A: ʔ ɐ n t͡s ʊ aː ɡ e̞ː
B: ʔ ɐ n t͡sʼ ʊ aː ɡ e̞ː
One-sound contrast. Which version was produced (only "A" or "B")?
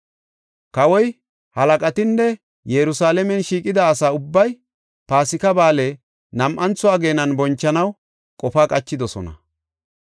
A